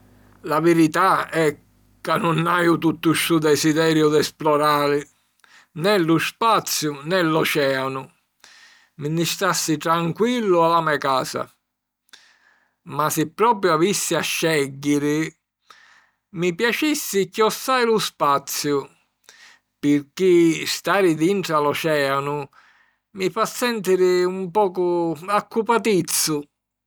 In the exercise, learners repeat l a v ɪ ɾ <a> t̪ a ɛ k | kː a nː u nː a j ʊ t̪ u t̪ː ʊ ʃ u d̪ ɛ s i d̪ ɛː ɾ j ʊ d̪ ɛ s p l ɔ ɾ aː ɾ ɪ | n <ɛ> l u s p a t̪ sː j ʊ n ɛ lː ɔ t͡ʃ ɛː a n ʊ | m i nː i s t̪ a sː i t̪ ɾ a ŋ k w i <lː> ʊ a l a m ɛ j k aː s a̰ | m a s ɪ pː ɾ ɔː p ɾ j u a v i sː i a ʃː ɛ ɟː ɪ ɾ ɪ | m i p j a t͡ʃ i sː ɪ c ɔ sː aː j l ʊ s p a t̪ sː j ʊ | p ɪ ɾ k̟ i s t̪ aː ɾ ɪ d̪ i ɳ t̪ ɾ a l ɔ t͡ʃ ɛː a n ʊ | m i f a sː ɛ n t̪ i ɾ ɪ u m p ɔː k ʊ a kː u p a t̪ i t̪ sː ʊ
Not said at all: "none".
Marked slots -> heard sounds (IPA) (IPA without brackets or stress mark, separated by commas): i, ɛ, lː